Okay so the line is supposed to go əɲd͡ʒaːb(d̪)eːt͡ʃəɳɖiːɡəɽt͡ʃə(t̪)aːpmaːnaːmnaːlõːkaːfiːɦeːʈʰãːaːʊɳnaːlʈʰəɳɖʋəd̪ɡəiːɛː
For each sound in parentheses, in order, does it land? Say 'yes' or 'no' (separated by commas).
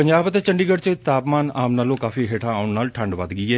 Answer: no, yes